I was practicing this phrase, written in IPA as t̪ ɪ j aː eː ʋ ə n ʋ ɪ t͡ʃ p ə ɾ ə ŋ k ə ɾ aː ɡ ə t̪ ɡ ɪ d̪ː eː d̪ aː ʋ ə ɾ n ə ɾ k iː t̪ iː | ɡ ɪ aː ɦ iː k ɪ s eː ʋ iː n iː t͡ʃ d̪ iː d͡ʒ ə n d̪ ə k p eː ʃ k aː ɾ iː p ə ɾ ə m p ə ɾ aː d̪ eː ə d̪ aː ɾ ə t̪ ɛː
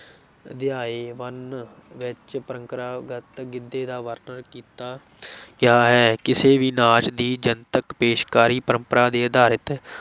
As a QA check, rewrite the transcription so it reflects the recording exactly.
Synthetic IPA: d̪ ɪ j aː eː ʋ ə n ʋ ɪ t͡ʃ p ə ɾ ə ŋ k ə ɾ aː ɡ ə t̪ ɡ ɪ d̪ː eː d̪ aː ʋ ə ɾ n ə ɾ k iː t̪ aː | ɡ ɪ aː ɦ ɛː k ɪ s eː ʋ iː n aː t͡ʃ d̪ iː d͡ʒ ə n t̪ ə k p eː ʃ k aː ɾ iː p ə ɾ ə m p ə ɾ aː d̪ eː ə d̪ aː ɾ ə t̪ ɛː

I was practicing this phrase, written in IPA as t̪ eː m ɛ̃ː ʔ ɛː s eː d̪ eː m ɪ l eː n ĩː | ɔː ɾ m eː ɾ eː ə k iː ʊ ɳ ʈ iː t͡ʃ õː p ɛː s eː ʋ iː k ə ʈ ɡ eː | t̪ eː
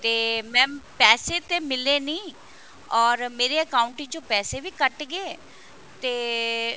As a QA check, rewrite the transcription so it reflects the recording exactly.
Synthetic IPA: t̪ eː m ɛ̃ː p ɛː s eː t̪ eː m ɪ l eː n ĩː | ɔː ɾ m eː ɾ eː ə k aː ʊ ɳ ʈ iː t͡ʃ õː p ɛː s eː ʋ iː k ə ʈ ɡ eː | t̪ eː

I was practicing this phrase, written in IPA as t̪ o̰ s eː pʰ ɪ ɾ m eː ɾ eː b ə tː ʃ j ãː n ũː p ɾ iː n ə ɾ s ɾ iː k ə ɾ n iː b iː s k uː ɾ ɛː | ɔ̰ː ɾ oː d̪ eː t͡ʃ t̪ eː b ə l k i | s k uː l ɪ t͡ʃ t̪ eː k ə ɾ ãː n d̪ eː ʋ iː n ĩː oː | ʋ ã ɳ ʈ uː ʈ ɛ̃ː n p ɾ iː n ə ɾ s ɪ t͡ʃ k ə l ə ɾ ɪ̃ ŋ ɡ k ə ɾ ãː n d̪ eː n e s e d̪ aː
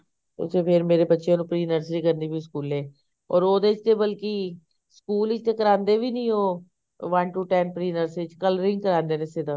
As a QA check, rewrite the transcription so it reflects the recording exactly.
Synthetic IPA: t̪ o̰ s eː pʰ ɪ ɾ m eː ɾ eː b ə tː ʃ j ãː n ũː p ɾ iː n ə ɾ s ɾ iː k ə ɾ n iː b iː s k uː l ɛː | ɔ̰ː ɾ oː d̪ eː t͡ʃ t̪ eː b ə l k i | s k uː l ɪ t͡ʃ t̪ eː k ə ɾ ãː n d̪ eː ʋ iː n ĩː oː | ʋ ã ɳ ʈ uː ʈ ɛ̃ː n p ɾ iː n ə ɾ s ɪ t͡ʃ k ə l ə ɾ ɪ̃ ŋ ɡ k ə ɾ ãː n d̪ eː n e s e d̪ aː

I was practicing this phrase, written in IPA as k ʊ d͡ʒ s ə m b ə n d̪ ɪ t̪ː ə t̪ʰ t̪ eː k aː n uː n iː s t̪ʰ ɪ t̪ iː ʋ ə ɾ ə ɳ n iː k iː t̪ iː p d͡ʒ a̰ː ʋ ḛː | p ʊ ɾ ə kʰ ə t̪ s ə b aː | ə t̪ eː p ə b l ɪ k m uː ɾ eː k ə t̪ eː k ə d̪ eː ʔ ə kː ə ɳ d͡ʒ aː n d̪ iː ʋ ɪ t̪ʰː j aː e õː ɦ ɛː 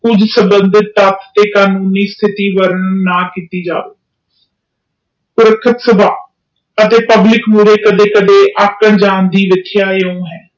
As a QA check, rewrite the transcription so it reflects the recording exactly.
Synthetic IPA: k ʊ d͡ʒ s ə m b ə n d̪ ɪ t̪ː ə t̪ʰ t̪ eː k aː n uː n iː s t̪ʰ ɪ t̪ iː ʋ ə ɾ ə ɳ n aː k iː t̪ iː d͡ʒ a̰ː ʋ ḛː | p ʊ ɾ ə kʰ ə t̪ s ə b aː | ə t̪ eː p ə b l ɪ k m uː ɾ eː k ə d̪ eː k ə d̪ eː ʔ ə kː ə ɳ d͡ʒ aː n d̪ iː ʋ ɪ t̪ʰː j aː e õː ɦ ɛː

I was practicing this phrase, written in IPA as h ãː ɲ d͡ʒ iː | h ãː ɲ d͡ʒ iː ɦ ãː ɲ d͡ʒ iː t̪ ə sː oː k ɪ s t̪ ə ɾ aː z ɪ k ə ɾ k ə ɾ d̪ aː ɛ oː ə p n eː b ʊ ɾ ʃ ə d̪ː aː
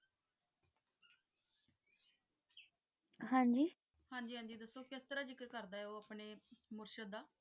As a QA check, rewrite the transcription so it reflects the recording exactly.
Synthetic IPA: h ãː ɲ d͡ʒ iː | h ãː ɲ d͡ʒ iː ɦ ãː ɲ d͡ʒ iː d̪ ə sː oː k ɪ s t̪ ə ɾ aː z ɪ k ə ɾ k ə ɾ d̪ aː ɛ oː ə p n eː m ʊ ɾ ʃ ə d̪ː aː

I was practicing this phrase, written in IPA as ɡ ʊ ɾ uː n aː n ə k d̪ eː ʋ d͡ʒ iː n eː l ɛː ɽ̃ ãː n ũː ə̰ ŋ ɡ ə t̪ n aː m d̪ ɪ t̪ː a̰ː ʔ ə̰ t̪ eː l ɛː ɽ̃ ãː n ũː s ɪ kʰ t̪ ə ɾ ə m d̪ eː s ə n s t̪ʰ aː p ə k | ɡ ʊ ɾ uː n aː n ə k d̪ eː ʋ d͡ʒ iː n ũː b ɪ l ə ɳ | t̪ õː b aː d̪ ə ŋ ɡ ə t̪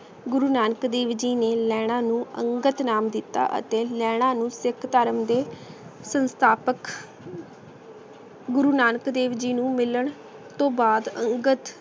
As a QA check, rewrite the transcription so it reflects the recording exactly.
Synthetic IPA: ɡ ʊ ɾ uː n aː n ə k d̪ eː ʋ d͡ʒ iː n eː l ɛː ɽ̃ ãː n ũː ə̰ ŋ ɡ ə t̪ n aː m d̪ ɪ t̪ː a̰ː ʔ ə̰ t̪ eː l ɛː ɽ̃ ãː n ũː s ɪ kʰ t̪ ə ɾ ə m d̪ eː s ə n s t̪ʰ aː p ə k | ɡ ʊ ɾ uː n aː n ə k d̪ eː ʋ d͡ʒ iː n ũː m ɪ l ə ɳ | t̪ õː b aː d̪ ə ŋ ɡ ə t̪

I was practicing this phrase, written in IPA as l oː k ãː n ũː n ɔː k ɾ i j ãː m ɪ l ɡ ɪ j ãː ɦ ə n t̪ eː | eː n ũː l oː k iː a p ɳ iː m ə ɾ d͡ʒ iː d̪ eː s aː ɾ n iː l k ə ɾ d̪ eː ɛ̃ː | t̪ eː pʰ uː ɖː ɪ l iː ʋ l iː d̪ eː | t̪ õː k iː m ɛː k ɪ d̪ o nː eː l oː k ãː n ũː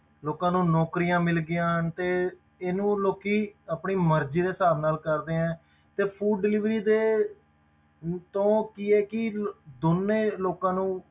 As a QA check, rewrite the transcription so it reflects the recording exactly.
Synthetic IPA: l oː k ãː n ũː n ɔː k ɾ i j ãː m ɪ l ɡ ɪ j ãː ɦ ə n t̪ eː | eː n ũː l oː k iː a p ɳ iː m ə ɾ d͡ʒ iː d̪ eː s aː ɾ n aː l k ə ɾ d̪ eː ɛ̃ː | t̪ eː pʰ uː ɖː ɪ l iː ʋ ɾ iː d̪ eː | t̪ õː k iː ɛː k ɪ d̪ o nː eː l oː k ãː n ũː

